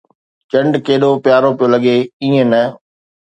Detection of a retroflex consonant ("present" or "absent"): present